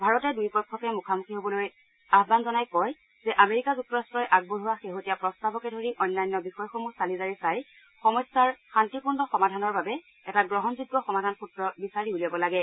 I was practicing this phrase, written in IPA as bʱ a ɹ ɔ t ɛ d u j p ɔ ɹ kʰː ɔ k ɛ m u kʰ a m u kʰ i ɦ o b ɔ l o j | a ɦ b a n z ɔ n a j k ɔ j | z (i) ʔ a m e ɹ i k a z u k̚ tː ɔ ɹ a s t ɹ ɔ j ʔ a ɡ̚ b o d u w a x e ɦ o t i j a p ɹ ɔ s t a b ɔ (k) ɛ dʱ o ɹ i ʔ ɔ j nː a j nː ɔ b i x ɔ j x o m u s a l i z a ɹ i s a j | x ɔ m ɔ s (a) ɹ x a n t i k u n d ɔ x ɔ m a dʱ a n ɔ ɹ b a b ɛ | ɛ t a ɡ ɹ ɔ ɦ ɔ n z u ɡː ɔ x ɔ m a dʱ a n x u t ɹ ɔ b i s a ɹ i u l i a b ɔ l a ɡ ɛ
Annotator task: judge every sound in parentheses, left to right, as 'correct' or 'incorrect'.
incorrect: ɛ, correct, correct

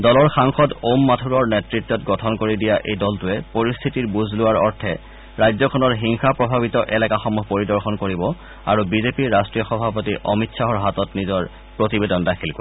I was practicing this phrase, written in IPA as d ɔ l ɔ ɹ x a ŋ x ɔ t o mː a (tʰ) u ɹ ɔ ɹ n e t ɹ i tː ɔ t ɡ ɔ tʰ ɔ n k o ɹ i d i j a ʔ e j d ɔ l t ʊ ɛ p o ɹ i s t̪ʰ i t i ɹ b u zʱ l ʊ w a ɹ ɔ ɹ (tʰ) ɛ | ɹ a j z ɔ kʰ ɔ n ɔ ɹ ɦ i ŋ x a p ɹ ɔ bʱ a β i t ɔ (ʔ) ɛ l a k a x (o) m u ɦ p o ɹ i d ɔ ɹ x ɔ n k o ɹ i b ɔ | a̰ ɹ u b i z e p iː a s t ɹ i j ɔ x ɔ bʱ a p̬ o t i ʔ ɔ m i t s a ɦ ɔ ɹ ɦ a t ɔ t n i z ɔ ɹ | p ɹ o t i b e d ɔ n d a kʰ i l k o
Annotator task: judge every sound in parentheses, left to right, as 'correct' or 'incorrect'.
correct, correct, correct, incorrect: ɔ

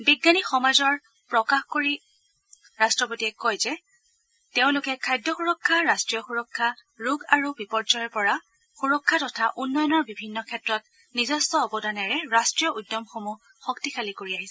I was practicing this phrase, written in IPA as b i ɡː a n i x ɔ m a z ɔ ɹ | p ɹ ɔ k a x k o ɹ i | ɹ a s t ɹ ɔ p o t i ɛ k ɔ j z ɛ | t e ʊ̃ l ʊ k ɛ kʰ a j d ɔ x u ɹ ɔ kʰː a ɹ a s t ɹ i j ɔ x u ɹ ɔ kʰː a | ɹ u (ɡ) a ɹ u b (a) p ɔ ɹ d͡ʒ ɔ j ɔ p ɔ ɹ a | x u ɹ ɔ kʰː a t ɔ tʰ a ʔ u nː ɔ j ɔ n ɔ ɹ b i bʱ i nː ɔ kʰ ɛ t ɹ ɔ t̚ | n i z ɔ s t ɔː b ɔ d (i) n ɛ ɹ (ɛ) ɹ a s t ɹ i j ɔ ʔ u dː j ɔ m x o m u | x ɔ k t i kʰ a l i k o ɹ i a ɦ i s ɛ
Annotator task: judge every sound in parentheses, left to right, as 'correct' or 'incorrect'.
correct, incorrect: i, incorrect: a, correct

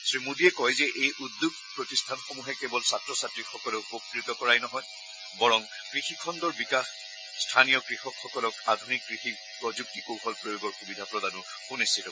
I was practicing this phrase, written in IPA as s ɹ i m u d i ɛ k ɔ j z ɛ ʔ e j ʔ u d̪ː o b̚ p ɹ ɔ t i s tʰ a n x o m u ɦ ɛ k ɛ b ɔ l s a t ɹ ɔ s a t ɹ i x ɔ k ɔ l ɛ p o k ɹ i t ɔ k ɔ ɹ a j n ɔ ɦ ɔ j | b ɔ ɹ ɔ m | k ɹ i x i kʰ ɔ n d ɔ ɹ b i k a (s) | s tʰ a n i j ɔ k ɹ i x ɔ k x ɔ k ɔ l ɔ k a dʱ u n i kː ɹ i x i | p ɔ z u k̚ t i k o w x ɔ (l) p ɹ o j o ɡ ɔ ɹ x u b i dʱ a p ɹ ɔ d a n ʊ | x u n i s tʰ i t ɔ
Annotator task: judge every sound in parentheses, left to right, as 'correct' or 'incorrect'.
incorrect: x, correct

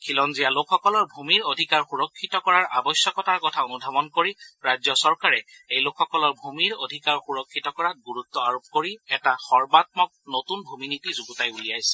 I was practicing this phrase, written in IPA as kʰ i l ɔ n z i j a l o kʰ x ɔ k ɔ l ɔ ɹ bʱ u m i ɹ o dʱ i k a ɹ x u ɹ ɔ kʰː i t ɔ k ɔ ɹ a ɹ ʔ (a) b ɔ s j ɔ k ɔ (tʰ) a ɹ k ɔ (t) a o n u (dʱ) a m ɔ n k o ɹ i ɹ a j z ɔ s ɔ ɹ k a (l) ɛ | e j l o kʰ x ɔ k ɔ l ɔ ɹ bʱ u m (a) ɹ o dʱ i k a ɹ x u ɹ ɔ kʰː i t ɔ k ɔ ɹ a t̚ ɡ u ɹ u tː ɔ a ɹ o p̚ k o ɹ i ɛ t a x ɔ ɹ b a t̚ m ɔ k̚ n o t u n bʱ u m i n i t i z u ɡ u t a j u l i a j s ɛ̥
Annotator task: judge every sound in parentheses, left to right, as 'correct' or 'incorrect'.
correct, incorrect: t, incorrect: tʰ, correct, incorrect: ɹ, incorrect: i

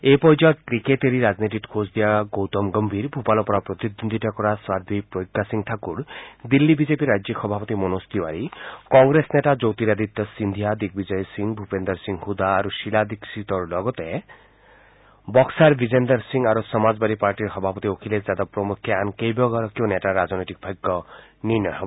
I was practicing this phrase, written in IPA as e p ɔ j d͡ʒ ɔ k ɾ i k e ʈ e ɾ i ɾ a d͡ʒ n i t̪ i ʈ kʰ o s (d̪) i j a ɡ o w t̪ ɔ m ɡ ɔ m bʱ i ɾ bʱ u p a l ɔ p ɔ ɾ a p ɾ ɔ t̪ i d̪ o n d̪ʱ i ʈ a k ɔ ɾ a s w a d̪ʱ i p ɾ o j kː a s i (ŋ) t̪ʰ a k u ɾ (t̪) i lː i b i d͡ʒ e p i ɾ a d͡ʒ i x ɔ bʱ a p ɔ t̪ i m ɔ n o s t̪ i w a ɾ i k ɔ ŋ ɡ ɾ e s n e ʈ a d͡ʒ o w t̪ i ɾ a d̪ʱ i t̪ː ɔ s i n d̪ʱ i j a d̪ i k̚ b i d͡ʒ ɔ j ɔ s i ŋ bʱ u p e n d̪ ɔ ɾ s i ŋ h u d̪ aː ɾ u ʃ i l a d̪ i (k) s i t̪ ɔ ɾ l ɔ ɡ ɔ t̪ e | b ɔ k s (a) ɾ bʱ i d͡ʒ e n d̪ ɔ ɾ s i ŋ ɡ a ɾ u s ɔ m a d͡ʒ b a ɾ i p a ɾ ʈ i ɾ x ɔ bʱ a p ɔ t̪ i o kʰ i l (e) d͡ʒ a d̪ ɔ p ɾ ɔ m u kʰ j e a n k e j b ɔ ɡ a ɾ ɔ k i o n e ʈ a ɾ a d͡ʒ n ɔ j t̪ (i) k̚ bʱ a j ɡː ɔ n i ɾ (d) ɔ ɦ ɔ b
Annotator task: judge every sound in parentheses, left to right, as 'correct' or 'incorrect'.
correct, correct, incorrect: d̪, correct, correct, correct, correct, incorrect: n

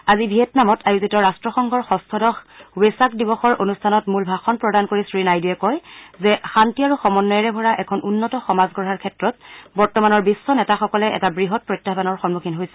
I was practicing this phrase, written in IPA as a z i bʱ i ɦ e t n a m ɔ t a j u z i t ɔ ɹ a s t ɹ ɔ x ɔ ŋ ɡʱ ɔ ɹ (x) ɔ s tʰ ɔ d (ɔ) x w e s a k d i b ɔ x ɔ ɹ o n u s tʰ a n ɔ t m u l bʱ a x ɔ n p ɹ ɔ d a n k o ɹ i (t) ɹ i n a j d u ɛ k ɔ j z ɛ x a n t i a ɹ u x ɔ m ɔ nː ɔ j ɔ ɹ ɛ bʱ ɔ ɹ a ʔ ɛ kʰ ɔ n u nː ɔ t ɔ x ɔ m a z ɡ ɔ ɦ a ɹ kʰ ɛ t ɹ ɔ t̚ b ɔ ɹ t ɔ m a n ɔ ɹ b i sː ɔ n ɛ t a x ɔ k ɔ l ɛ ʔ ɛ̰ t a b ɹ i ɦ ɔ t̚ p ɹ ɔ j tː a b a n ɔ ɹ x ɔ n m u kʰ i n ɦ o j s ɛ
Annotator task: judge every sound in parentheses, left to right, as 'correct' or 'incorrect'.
correct, correct, incorrect: s

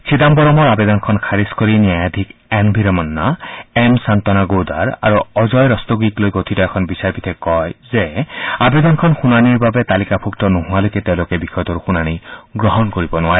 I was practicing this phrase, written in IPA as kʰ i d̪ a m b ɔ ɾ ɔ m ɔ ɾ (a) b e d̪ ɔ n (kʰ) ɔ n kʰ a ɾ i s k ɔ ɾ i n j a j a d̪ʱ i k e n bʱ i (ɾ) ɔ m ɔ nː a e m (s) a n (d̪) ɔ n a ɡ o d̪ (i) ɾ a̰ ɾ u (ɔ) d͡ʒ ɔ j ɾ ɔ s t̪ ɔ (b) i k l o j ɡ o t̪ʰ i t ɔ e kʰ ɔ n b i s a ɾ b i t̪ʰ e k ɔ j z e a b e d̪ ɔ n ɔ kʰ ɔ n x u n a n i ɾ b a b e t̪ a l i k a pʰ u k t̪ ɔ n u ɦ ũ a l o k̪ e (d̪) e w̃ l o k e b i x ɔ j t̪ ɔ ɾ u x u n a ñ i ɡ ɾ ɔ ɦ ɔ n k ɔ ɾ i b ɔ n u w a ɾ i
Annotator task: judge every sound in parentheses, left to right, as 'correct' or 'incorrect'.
correct, correct, correct, correct, incorrect: t̪, incorrect: a, correct, incorrect: ɡ, incorrect: t̪

